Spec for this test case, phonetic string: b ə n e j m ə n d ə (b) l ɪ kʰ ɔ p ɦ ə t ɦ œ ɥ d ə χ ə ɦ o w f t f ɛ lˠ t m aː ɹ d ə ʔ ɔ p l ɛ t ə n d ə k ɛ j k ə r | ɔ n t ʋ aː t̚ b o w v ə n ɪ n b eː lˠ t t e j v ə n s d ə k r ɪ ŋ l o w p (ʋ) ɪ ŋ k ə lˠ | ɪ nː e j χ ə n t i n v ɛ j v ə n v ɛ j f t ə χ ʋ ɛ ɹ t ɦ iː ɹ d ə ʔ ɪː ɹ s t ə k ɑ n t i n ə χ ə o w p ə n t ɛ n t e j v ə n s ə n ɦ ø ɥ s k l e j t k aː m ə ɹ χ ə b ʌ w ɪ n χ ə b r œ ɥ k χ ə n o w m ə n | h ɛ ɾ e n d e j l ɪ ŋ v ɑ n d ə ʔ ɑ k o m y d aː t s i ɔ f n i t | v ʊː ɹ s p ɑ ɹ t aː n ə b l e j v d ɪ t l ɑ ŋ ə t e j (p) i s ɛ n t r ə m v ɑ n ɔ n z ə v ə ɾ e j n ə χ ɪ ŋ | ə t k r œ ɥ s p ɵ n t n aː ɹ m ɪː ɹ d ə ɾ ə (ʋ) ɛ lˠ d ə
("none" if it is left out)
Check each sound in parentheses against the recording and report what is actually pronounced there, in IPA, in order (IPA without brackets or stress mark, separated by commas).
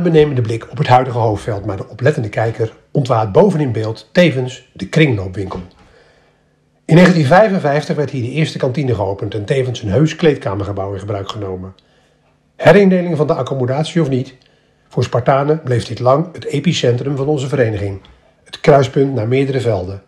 b, ʋ, p, v